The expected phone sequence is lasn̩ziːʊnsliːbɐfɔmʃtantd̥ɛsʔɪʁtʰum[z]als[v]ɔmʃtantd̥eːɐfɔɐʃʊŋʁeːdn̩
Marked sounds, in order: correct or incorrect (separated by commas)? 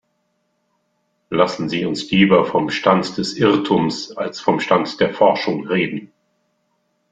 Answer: incorrect, incorrect